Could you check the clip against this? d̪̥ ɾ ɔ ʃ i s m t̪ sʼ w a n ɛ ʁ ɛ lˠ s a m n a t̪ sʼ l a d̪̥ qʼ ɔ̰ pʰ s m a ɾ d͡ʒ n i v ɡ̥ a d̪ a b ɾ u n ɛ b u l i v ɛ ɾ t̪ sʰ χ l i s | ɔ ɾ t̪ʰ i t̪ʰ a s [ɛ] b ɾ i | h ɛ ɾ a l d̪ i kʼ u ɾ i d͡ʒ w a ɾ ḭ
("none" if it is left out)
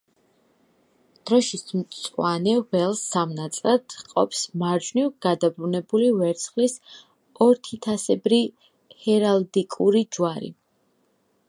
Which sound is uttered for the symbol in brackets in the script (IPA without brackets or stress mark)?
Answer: ɛ